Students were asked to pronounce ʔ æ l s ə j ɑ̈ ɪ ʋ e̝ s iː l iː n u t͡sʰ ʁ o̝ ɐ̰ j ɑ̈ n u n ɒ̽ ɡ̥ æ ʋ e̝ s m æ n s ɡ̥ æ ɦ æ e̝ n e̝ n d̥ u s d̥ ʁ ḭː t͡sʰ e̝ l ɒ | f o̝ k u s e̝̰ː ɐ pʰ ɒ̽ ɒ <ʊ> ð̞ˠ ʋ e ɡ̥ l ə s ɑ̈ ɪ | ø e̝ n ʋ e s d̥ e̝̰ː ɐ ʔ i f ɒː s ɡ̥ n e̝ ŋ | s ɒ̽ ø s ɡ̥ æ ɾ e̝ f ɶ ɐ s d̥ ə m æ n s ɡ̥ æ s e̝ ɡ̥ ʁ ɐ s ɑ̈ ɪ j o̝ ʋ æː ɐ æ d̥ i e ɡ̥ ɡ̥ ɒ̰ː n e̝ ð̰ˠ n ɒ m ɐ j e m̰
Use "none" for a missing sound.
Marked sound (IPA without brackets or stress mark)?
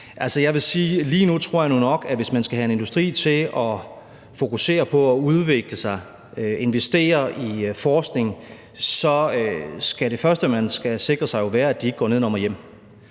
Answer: u